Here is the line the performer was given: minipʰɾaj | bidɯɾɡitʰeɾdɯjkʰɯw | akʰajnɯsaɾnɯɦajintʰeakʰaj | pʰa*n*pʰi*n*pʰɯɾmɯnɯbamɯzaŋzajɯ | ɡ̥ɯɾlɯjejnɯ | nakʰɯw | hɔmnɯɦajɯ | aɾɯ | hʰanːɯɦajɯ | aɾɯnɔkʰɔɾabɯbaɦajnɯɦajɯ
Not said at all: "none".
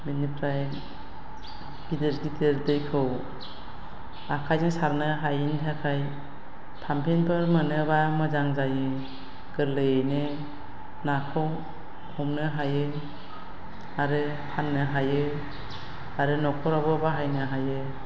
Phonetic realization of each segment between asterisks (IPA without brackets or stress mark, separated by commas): m, n